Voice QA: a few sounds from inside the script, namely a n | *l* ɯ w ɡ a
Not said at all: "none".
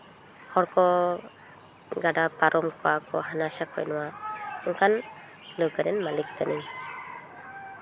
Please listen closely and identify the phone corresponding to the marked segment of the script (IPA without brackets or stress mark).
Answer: l